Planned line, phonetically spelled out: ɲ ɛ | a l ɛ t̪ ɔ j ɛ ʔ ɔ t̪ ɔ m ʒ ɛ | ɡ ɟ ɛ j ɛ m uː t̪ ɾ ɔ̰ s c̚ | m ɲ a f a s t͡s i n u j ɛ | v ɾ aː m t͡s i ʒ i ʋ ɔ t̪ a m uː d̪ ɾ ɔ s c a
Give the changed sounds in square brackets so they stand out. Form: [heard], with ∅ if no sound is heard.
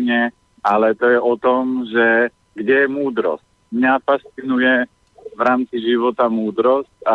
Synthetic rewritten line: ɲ ɛ | a l ɛ t̪ ɔ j ɛ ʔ ɔ t̪ ɔ m ʒ ɛ | ɡ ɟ ɛ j ɛ m uː [d̪] ɾ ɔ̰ s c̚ | m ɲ a f a s t͡s i n u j ɛ | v ɾ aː m t͡s i ʒ i ʋ ɔ t̪ a m uː d̪ ɾ ɔ s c a